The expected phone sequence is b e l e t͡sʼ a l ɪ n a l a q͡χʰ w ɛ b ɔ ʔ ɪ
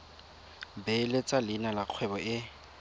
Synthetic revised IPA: b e l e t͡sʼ a l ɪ n a l a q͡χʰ w ɛ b ɔ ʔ ɪ